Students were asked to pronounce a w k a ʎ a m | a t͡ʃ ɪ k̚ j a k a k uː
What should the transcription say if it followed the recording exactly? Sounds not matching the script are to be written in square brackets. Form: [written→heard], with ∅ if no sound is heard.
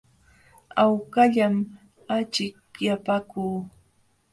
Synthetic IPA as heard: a w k a ʎ a m | a t͡ʃ ɪ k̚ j a [k→p] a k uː